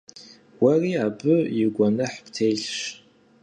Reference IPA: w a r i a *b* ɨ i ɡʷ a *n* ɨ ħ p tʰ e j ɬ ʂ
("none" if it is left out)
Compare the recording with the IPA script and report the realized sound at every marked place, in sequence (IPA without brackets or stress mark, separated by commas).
b, n